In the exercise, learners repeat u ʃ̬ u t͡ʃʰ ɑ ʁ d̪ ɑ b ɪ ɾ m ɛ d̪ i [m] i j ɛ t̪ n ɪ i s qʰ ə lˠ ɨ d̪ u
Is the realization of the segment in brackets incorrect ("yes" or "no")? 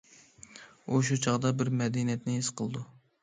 yes